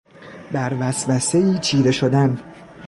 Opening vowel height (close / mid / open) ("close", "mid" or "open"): open